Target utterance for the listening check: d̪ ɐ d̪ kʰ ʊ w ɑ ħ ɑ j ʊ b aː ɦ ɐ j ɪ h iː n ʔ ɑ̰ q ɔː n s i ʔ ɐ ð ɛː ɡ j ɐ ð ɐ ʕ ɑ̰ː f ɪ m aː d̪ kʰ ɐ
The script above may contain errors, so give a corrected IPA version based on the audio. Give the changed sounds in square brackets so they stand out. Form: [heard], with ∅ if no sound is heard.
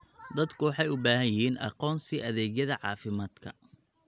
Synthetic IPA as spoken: d̪ ɐ d̪ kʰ ʊ w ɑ ħ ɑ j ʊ b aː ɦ ɐ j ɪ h iː n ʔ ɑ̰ q ɔː n s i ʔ ɐ ð ɛː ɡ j ɐ ð ɐ ʕ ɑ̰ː f ɪ m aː d̪ kʰ ɐ